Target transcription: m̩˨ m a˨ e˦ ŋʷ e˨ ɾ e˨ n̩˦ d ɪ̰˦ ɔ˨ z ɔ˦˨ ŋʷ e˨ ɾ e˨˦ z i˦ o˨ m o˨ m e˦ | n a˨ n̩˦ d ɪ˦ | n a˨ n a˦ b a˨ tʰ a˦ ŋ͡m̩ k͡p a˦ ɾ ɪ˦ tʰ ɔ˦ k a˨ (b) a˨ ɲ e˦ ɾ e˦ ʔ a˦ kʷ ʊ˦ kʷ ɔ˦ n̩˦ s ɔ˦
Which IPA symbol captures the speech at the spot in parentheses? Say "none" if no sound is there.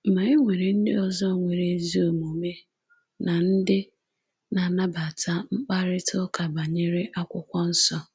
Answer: b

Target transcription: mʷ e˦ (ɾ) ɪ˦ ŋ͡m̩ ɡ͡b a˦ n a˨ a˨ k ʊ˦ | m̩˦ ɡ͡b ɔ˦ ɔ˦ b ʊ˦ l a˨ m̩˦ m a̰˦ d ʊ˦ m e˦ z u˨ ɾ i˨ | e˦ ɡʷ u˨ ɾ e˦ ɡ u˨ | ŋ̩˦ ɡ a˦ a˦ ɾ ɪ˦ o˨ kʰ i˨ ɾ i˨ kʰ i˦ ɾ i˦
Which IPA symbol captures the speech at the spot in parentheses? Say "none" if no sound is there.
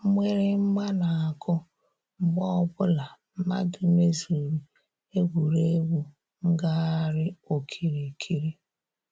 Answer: ɾ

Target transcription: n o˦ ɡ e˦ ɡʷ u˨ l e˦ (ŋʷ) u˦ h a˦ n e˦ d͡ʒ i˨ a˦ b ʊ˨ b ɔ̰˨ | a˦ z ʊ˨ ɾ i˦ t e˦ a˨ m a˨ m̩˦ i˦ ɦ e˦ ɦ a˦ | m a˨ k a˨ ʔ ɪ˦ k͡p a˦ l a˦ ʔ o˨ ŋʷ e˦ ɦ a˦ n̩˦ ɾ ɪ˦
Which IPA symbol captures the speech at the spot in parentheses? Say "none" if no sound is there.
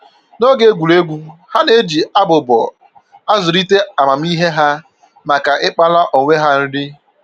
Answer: ɡʷ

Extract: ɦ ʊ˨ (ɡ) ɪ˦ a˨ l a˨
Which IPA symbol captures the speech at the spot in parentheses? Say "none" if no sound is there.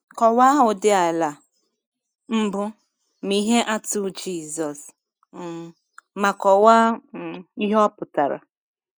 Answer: d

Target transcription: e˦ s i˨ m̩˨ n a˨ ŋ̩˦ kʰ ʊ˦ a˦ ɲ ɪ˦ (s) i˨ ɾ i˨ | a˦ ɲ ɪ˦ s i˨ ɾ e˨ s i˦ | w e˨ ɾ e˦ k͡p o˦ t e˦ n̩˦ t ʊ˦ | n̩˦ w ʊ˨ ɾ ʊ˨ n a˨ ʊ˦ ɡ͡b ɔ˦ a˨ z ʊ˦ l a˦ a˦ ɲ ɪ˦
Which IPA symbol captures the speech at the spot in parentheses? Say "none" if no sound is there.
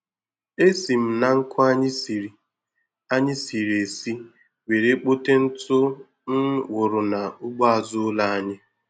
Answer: s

